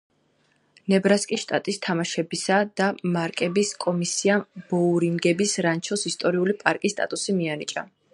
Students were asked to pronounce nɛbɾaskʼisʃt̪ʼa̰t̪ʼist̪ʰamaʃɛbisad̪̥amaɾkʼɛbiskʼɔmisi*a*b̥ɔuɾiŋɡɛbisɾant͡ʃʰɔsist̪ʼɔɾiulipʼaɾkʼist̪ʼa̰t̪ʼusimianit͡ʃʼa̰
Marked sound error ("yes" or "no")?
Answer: no